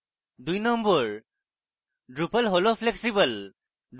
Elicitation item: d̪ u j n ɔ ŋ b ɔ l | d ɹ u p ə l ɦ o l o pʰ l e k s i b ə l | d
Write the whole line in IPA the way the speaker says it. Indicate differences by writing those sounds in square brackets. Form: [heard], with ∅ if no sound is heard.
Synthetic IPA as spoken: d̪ u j n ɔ [m] b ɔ [ɹ] | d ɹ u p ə l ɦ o l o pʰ l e k s i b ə l | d